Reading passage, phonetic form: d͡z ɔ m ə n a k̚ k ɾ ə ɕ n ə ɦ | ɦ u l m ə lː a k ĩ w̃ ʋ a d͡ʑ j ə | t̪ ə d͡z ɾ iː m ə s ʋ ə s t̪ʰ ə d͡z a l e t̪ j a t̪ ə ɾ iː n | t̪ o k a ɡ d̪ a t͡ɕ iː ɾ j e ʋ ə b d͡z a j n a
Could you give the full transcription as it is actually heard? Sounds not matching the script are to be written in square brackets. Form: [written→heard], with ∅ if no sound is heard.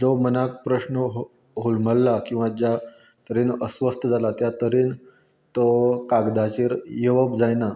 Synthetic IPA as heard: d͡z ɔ m ə n a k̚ [k→p] ɾ ə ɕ n ə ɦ | ɦ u l m ə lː a k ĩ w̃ ʋ a d͡ʑ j [ə→a] | t̪ ə [d͡z→∅] ɾ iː [m→n] ə s ʋ ə s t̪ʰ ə d͡z a l [e→a] t̪ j a t̪ ə ɾ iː n | t̪ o k a ɡ d̪ a t͡ɕ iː ɾ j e ʋ ə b d͡z a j n a